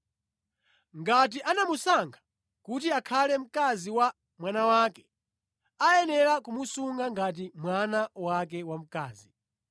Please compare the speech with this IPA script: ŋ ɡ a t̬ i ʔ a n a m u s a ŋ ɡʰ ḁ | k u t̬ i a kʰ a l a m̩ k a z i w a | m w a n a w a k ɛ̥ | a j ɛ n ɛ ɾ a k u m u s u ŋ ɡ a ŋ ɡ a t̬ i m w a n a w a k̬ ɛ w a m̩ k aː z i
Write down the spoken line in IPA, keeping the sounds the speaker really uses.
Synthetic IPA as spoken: ŋ ɡ a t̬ i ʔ a n a m u s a ŋ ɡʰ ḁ | k u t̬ i a kʰ a l ɛ m̩ k a z i w a | m w a n a w a k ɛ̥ | a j ɛ n ɛ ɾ a k u m u s u ŋ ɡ a ŋ ɡ a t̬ i m w a n a w a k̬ ɛ w a m̩ k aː z i